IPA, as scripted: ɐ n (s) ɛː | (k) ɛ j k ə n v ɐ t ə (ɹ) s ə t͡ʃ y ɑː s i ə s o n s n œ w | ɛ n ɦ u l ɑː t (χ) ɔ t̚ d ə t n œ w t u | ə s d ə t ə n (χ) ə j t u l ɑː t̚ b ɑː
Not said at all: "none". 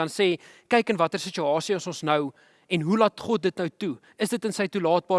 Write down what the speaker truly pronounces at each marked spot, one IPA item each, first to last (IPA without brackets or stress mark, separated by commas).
s, k, r, χ, s